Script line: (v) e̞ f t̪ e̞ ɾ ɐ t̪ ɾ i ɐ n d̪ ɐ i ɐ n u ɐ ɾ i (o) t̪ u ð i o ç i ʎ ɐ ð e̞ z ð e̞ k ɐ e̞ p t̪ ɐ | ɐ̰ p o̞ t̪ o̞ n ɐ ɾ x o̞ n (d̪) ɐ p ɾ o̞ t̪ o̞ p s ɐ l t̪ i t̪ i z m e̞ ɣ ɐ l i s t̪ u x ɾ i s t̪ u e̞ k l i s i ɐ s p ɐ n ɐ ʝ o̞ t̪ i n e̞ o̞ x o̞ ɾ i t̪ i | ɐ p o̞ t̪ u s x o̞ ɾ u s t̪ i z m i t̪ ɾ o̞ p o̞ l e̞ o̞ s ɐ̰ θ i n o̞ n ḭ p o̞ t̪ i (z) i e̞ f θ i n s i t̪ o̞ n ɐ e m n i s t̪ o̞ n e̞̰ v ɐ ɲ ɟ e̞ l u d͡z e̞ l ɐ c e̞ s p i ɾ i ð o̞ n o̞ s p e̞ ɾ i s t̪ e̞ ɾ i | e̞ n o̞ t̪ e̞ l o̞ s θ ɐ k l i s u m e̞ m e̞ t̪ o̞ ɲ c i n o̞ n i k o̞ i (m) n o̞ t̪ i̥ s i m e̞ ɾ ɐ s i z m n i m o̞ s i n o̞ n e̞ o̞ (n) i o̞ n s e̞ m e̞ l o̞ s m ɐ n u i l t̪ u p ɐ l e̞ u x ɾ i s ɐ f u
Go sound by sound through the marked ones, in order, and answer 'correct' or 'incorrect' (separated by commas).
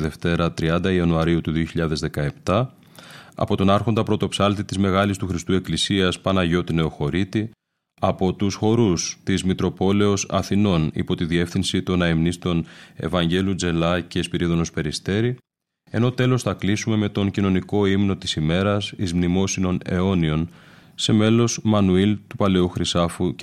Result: incorrect, incorrect, correct, incorrect, correct, correct